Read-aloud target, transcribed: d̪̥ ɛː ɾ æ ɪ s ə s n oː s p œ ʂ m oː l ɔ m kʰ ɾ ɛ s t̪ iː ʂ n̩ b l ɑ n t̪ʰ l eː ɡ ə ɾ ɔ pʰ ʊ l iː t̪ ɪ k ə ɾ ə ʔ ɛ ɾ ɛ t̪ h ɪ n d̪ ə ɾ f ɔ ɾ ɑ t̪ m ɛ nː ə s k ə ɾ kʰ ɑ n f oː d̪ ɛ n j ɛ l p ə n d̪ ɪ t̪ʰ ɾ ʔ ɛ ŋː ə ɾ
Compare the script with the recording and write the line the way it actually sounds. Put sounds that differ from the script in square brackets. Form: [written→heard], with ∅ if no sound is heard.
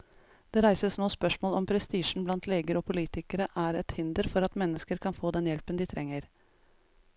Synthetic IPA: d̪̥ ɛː ɾ æ ɪ s ə s n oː s p œ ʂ m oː l ɔ m [kʰ→pʰ] ɾ ɛ s t̪ iː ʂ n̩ b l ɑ n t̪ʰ l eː ɡ ə ɾ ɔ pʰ ʊ l iː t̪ ɪ k ə ɾ ə ʔ [ɛ→æ] ɾ ɛ t̪ h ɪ n d̪ ə ɾ f ɔ ɾ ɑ t̪ m ɛ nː ə s k ə ɾ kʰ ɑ n f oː d̪ ɛ n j ɛ l p ə n d̪ ɪ t̪ʰ ɾ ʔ ɛ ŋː ə ɾ